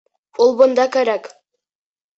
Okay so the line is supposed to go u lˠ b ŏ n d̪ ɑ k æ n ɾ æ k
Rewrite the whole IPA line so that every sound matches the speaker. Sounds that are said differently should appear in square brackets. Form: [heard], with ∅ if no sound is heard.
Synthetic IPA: u lˠ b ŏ n d̪ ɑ k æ [∅] ɾ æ k